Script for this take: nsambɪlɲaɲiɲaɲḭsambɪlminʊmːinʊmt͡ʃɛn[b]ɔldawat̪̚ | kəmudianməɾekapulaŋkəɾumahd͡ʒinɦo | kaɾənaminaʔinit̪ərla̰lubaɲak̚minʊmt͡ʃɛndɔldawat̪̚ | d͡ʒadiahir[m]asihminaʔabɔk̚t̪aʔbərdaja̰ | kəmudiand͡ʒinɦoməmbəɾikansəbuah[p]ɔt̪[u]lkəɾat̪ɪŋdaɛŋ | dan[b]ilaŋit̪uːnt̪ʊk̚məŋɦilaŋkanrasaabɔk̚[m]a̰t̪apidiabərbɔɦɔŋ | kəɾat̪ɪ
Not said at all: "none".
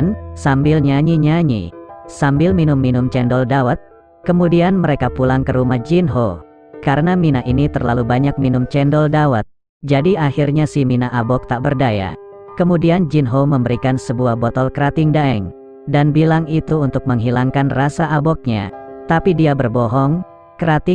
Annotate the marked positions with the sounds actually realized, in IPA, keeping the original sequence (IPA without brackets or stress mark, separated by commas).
d, ɲ, b, ɔ, b, ɲ